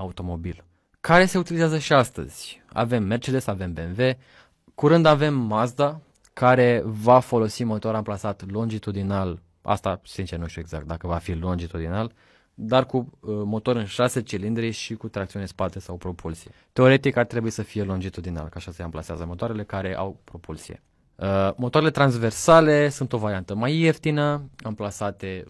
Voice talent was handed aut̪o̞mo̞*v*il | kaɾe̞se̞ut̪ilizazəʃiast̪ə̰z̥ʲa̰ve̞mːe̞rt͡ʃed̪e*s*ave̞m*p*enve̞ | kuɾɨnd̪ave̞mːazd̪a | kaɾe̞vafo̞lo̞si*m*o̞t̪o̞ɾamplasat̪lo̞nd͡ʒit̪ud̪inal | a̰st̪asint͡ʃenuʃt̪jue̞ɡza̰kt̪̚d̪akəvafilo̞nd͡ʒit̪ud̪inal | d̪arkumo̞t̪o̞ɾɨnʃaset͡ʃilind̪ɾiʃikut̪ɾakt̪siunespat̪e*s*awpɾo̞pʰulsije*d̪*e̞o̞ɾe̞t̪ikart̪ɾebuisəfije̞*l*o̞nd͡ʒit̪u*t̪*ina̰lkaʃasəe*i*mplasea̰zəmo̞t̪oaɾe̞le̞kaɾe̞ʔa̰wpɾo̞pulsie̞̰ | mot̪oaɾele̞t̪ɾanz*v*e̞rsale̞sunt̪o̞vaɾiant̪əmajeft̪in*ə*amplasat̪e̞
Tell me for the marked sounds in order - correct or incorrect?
incorrect: b, correct, incorrect: b, correct, correct, incorrect: t̪, correct, incorrect: d̪, incorrect: a, correct, correct

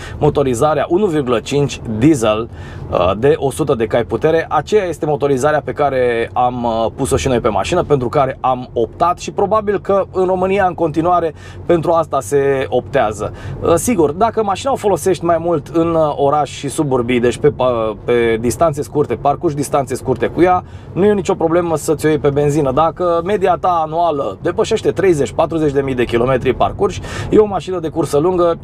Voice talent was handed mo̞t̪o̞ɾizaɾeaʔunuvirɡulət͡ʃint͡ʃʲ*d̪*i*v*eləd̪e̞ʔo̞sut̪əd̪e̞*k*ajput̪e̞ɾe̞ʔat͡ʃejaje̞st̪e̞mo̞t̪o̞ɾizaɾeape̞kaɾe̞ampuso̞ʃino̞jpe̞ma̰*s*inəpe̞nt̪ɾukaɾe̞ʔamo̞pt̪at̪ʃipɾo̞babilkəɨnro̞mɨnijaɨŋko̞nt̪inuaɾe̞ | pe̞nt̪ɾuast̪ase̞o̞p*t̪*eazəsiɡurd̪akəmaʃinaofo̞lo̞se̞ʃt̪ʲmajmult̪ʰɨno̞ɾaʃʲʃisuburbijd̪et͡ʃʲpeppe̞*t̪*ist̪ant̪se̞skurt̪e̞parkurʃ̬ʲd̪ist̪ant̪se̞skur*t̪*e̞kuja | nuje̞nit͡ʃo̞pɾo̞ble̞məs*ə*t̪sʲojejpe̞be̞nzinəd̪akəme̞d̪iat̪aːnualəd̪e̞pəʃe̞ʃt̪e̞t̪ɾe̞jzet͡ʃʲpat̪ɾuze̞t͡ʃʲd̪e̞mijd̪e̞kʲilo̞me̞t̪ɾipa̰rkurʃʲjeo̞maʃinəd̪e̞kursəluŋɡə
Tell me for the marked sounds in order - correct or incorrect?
correct, incorrect: z, correct, incorrect: ʃ, correct, incorrect: d̪, correct, correct

